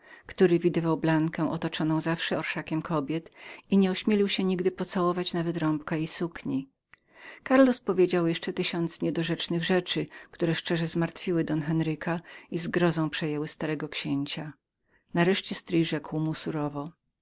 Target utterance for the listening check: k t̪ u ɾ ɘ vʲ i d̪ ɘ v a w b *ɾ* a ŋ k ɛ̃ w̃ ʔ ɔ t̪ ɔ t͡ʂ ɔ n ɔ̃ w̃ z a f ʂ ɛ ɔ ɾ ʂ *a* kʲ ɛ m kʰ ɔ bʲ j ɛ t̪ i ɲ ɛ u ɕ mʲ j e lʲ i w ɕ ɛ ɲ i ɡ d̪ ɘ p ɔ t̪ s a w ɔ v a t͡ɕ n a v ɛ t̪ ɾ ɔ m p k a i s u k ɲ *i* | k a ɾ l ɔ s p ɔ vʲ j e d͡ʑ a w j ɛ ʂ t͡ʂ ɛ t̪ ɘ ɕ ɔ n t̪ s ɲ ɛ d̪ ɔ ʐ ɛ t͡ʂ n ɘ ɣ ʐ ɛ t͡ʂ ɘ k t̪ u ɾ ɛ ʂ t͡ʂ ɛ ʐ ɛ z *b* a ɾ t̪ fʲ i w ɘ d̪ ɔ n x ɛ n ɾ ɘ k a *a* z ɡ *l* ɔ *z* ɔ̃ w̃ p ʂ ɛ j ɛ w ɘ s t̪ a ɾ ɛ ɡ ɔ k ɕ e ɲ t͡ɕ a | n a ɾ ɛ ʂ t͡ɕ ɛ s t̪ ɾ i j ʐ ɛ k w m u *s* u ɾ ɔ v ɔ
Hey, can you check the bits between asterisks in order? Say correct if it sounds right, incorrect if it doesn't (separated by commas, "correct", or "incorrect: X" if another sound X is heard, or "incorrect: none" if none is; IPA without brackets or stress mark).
incorrect: l, correct, correct, incorrect: m, incorrect: i, incorrect: ɾ, correct, correct